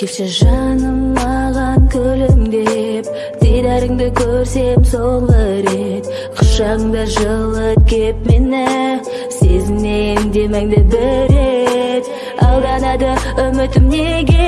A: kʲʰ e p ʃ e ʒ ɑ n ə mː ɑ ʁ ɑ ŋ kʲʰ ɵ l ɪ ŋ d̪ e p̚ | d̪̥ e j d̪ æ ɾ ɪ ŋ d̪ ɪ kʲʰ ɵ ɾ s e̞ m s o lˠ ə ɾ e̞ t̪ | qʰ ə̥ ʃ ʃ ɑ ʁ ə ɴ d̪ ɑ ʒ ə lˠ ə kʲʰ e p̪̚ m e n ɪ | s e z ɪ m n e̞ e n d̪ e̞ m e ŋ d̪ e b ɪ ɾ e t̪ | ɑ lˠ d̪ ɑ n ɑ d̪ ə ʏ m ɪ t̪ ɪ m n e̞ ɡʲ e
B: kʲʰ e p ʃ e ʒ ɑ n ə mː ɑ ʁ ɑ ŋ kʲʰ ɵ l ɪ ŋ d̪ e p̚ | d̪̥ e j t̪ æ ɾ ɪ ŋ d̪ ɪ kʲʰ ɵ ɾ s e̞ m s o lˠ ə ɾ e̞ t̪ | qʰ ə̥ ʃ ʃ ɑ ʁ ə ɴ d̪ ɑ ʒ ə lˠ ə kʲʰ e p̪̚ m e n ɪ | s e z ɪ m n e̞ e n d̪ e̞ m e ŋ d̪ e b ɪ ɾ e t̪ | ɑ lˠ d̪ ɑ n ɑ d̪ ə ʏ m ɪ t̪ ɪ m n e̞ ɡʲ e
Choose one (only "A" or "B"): A